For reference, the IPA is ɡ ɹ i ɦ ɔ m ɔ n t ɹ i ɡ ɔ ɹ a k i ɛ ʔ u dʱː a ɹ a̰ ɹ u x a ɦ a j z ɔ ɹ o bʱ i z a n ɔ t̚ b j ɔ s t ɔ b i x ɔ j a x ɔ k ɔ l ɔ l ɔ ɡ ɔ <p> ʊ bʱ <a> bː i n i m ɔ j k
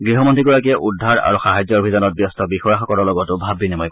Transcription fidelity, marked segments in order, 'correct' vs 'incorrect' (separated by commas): incorrect, correct